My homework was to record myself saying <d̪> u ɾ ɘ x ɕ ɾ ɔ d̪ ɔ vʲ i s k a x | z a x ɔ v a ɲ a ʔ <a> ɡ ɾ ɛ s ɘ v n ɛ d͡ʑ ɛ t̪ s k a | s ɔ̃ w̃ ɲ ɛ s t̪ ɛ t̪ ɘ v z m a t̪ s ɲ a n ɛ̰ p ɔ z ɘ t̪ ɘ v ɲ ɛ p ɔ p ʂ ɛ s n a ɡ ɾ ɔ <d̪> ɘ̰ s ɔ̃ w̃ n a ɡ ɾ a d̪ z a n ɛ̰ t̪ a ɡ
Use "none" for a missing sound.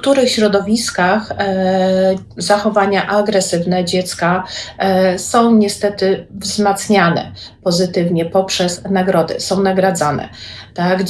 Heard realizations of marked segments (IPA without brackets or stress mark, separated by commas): t̪, a, d̪